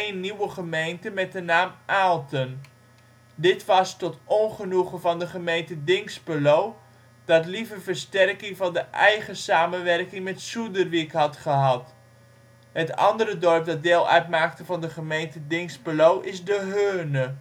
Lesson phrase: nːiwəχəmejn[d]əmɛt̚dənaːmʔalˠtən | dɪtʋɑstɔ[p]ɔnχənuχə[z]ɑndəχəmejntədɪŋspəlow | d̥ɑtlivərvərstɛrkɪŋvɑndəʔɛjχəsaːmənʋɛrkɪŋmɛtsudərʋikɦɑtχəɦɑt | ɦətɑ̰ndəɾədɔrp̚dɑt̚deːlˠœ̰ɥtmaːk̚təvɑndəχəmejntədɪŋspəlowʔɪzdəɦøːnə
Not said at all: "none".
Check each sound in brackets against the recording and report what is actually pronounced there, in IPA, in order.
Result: t, t, v

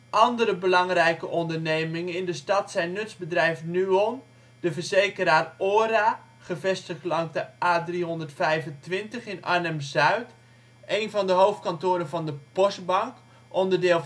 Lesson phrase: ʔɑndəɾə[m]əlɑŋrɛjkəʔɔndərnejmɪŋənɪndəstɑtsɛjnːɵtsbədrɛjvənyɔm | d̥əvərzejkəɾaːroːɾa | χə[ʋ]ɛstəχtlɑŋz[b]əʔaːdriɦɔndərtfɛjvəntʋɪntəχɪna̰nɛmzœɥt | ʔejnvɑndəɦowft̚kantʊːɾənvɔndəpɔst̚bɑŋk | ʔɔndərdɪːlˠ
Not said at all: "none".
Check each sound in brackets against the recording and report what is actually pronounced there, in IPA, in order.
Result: b, v, d

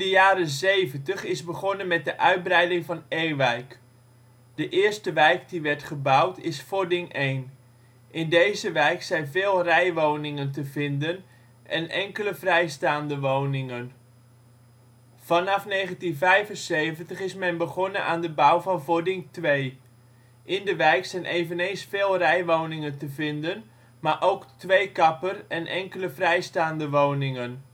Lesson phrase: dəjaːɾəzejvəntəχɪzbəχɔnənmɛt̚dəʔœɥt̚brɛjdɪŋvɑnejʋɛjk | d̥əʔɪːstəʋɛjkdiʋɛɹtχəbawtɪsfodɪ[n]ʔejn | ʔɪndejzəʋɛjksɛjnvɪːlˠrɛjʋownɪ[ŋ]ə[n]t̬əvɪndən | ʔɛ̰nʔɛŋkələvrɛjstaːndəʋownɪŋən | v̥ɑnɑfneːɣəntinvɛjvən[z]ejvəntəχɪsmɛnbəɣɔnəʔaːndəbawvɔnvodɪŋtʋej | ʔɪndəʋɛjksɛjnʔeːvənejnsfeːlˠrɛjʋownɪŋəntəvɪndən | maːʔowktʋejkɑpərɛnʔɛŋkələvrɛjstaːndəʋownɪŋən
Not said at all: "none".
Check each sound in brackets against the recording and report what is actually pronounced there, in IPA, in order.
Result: ŋ, ŋ, n, s

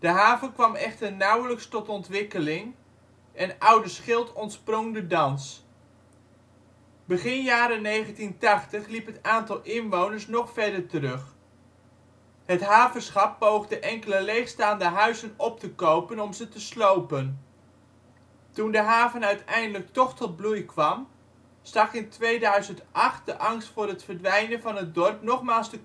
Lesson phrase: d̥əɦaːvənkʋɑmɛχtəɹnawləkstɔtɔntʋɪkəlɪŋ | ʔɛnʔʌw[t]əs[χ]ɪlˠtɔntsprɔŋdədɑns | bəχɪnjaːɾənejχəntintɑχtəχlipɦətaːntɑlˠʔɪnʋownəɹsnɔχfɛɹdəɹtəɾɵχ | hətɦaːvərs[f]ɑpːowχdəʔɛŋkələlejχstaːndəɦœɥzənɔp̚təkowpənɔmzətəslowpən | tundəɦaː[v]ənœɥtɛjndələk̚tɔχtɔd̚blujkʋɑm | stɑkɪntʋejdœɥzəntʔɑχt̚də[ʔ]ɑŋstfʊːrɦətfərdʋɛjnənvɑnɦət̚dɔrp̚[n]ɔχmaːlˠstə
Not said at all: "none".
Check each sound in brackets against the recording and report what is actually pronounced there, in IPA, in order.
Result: d, χ, χ, v, ʔ, n

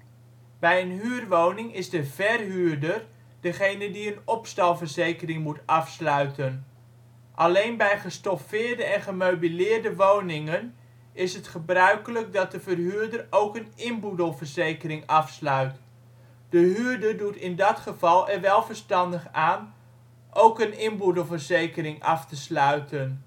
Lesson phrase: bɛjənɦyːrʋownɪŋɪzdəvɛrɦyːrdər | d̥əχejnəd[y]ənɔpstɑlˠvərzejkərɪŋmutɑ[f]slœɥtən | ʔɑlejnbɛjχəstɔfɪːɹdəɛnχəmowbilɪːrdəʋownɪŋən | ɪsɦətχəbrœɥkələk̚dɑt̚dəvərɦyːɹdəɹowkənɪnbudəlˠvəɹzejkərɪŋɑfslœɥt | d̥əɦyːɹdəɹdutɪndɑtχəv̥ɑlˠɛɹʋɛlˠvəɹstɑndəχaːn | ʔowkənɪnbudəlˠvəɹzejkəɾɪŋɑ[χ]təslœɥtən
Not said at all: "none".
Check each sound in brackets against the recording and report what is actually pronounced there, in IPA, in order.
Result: i, f, f

